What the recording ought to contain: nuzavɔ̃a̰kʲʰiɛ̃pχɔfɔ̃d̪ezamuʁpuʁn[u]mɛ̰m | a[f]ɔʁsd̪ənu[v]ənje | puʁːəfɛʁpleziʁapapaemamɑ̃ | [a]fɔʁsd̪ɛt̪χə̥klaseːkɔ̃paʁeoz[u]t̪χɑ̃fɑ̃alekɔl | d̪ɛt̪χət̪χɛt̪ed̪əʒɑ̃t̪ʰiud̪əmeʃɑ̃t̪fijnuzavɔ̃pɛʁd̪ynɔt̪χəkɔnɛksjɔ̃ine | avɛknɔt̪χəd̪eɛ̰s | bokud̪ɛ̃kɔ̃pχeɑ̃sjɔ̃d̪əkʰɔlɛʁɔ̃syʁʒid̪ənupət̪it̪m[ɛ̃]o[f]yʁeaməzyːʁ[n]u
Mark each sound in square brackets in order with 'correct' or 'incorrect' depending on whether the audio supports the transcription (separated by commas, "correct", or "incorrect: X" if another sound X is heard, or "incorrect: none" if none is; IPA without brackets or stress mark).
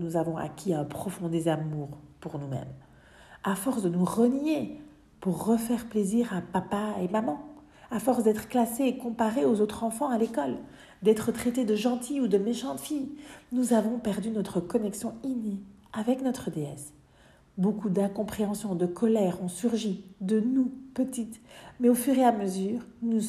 correct, correct, incorrect: ʁ, correct, incorrect: o, incorrect: ɛ, correct, correct